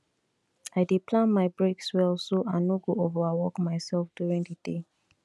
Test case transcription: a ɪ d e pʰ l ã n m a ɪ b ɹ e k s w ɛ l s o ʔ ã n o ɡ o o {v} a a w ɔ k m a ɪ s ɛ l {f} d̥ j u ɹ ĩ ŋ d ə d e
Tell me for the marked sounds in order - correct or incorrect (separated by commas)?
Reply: correct, correct